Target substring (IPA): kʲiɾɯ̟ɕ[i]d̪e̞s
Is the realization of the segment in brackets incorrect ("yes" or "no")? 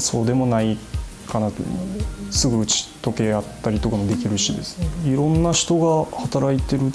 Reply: no